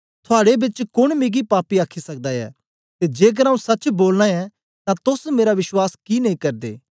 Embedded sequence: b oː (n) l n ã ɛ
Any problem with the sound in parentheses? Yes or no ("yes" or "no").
yes